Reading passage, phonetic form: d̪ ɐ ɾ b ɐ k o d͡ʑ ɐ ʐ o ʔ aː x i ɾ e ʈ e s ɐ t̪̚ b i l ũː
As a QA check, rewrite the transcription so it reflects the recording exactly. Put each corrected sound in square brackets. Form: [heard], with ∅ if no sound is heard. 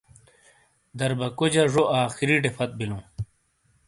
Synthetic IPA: d̪ ɐ ɾ b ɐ k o d͡ʑ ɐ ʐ o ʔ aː x i ɾ [i] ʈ e [f] ɐ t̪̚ b i l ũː